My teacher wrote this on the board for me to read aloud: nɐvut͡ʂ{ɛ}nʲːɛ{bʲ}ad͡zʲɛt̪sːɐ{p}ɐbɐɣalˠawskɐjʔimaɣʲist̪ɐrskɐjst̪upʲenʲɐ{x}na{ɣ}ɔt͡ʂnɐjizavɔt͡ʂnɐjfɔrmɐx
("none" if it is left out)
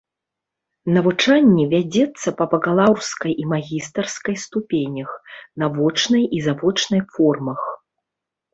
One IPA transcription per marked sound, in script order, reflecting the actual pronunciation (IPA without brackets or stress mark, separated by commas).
a, vʲ, p, x, v